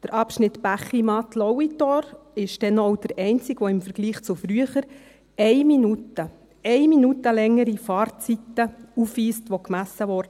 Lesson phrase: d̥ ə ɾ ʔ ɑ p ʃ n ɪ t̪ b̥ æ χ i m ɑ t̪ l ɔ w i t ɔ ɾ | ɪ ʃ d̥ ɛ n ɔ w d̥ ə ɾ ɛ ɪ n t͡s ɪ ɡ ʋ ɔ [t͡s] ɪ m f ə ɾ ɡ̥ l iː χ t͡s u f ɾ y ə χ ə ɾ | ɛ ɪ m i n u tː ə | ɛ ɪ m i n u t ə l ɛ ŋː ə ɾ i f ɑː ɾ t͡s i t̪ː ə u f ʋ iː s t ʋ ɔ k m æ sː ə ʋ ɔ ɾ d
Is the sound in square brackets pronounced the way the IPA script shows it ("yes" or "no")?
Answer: no